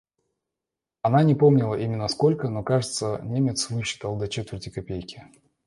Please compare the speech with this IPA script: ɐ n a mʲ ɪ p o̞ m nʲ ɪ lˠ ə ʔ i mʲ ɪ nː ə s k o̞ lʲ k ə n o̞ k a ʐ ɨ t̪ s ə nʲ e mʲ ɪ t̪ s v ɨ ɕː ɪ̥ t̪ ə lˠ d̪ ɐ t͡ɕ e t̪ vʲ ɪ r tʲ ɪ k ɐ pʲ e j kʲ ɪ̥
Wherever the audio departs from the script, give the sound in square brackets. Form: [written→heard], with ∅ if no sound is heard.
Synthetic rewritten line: ɐ n a [mʲ→nʲ] ɪ p o̞ m nʲ ɪ lˠ ə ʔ i mʲ ɪ nː ə s k o̞ lʲ k ə n o̞ k a ʐ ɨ t̪ s ə nʲ e mʲ ɪ t̪ s v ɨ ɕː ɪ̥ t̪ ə lˠ d̪ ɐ t͡ɕ e t̪ vʲ ɪ r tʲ ɪ k ɐ pʲ e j kʲ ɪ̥